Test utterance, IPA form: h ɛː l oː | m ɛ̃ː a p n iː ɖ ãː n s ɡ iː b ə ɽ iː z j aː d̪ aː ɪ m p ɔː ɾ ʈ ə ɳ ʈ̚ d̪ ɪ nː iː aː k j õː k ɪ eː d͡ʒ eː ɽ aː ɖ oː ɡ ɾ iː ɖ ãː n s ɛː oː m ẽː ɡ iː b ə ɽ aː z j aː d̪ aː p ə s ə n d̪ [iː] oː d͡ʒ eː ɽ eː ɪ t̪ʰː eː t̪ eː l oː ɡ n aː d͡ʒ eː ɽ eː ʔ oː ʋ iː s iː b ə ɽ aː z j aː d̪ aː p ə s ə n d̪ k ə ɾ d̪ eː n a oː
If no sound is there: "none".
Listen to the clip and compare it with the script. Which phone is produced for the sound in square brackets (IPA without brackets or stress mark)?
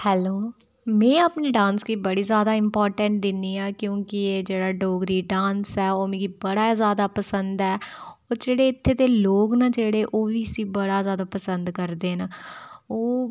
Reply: ɛː